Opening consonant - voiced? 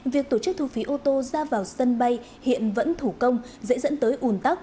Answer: yes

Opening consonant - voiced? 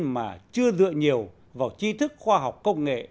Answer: yes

